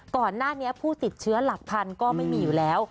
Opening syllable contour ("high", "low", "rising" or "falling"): low